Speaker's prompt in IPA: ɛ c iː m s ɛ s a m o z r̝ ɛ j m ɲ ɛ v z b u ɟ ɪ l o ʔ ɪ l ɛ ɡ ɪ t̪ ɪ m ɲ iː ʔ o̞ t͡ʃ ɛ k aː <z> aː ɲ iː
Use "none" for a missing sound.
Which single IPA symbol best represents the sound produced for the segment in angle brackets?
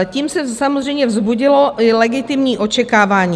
v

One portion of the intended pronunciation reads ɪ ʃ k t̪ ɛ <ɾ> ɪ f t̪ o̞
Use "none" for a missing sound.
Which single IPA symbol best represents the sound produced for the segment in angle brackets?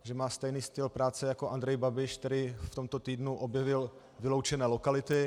ɾ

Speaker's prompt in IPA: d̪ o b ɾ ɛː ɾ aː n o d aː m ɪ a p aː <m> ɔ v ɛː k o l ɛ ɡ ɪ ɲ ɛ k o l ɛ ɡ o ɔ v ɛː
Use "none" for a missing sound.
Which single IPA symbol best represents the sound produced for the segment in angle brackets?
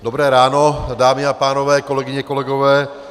n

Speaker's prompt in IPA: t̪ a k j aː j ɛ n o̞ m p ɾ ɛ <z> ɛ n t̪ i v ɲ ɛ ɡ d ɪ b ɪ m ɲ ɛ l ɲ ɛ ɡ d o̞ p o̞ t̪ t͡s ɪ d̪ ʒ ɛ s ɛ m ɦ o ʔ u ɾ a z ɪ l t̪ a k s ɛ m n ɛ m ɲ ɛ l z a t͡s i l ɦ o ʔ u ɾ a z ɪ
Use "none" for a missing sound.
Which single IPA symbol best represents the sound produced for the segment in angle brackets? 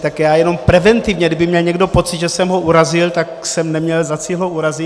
v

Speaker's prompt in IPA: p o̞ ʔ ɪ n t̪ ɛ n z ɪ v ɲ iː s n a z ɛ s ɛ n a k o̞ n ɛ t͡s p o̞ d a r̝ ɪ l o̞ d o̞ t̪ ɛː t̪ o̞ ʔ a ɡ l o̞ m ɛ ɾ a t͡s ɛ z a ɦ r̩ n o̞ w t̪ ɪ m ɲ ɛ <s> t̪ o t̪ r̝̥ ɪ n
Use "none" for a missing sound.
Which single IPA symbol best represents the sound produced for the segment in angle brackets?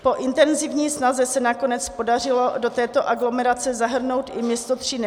s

